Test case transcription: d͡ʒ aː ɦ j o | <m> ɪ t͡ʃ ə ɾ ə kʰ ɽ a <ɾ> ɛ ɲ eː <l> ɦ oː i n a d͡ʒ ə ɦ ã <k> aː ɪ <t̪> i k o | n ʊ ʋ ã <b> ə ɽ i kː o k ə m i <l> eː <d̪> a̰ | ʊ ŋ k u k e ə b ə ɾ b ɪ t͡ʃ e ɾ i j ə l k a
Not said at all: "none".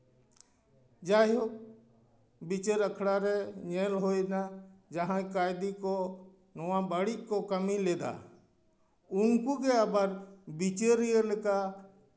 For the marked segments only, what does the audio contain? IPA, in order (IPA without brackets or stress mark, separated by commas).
b, ɾ, l, k, d̪, b, l, d̪